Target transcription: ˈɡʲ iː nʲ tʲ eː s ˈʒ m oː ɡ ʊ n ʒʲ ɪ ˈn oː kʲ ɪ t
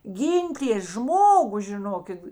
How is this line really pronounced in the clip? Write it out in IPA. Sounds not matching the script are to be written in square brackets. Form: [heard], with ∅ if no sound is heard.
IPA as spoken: ˈɡʲ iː nʲ tʲ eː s ˈʒ m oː ɡ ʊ [∅] ʒʲ ɪ ˈn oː kʲ ɪ t